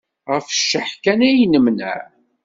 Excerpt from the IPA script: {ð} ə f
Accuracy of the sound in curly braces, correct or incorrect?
incorrect